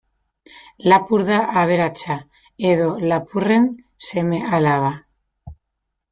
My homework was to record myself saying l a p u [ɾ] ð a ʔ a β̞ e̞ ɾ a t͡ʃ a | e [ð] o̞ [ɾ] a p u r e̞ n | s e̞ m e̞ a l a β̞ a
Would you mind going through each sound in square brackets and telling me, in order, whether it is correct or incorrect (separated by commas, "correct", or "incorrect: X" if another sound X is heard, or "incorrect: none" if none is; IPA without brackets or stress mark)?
correct, correct, incorrect: l